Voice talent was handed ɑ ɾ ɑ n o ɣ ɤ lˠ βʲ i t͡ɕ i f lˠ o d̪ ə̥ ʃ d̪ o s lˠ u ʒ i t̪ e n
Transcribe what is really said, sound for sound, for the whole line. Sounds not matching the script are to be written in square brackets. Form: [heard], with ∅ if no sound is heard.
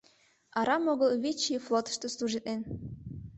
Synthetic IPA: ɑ ɾ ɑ [m] o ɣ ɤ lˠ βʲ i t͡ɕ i f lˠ o [t̪] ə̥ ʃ [t̪] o s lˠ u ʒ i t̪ e n